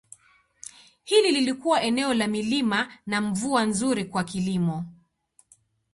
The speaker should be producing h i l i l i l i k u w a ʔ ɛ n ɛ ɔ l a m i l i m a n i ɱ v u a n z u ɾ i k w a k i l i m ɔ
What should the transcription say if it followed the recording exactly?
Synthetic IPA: h i l i l i l i k u w a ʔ ɛ n ɛ ɔ l a m i l i m a n a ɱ v u a n z u ɾ i k w a k i l i m ɔ

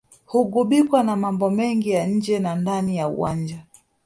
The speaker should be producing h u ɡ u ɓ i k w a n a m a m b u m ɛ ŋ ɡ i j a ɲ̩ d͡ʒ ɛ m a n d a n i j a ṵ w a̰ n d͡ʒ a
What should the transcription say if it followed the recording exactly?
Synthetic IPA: h u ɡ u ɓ i k w a n a m a m b ɔ m ɛ ŋ ɡ i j a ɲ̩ d͡ʒ ɛ n a n d a n i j a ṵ w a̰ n d͡ʒ a

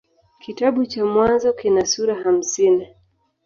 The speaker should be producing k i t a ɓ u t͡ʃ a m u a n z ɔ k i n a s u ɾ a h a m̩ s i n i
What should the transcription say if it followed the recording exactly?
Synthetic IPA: k i t a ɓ u t͡ʃ a m w a n z ɔ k i n a s u ɾ a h a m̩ s i n i

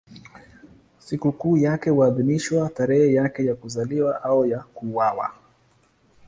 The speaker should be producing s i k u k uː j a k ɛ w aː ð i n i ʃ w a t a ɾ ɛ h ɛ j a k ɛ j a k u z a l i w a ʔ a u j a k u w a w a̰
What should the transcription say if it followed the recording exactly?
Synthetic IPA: s i k u k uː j a k ɛ w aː ð i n i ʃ w a t a ɾ ɛ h ɛ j a k ɛ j a k u z a l i w a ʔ a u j a k u w a w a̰

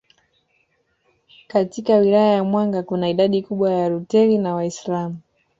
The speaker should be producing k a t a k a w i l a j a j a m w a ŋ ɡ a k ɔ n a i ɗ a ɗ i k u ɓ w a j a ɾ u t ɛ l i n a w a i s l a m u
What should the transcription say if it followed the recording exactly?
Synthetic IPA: k a t i k a w i l a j a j a m w a ŋ ɡ a k u n a i ɗ a ɗ i k u ɓ w a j a ɾ u t ɛ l i n a w a i s l a m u

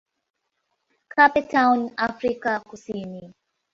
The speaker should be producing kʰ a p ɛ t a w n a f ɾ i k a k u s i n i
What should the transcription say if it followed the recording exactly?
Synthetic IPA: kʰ a p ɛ t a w n a f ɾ i k a k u s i n i

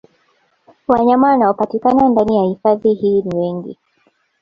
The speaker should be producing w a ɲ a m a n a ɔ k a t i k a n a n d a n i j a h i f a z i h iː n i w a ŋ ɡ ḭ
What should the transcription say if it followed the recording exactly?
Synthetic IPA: w a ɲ a m a n a ɔ p a t i k a n a n d a n i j a h i f a ð i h iː n i w ɛ ŋ ɡ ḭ

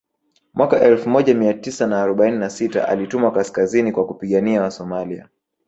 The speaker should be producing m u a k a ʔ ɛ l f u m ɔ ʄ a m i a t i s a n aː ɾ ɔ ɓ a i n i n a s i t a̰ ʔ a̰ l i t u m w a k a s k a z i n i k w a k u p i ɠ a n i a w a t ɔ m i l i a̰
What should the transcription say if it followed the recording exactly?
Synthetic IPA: m w a k a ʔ ɛ l f u m ɔ ʄ a m i a t i s a n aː ɾ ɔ ɓ a i n i n a s i t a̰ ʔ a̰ l i t u m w a k a s k a z i n i k w a k u p i ɠ a n i a w a s ɔ m a l i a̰

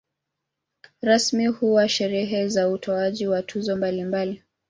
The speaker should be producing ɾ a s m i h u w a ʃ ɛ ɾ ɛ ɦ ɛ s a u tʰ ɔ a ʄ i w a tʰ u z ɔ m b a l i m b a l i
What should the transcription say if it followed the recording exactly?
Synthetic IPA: ɾ a s m i h u w a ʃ ɛ ɾ ɛ ɦ ɛ z a u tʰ ɔ a ʄ i w a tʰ u z ɔ m b a l i m b a l i

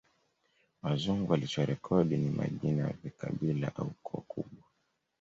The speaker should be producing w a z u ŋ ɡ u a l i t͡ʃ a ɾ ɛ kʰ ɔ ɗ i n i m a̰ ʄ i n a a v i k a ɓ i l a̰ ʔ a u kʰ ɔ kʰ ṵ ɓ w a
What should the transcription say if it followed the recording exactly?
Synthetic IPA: w a z u ŋ ɡ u a l i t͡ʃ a ɾ ɛ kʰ ɔ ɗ i n i m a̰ ʄ i n a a v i k a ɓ i l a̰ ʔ a u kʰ ɔ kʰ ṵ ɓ w a

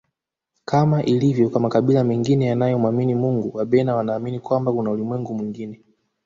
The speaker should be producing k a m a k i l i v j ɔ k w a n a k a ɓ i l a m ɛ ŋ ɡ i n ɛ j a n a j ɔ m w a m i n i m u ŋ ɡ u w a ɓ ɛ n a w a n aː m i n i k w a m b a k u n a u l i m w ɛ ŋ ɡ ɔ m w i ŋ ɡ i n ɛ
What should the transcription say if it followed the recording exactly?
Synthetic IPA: k a m a ʔ i l i v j ɔ k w a m a k a ɓ i l a m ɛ ŋ ɡ i n ɛ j a n a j ɔ m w a m i n i m u ŋ ɡ u w a ɓ ɛ n a w a n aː m i n i k w a m b a k u n a u l i m w ɛ ŋ ɡ u m w i ŋ ɡ i n ɛ

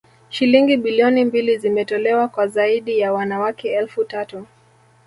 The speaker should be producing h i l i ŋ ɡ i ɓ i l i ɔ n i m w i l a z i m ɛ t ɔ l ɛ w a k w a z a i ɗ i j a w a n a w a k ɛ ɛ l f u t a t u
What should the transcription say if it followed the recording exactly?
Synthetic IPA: ʃ i l i ŋ ɡ i ɓ i l i ɔ n i m b i l i z i m ɛ t ɔ l ɛ w a k w a z a i ɗ i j a w a n a w a k ɛ ɛ l f u t a t u

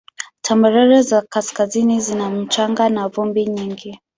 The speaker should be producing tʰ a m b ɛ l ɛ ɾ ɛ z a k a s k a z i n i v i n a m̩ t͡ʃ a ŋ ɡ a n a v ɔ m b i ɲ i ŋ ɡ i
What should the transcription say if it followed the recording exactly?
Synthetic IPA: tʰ a m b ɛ ɾ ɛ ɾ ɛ z a k a s k a z i n i z i n a m̩ t͡ʃ a ŋ ɡ a n a v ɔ m b i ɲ i ŋ ɡ i

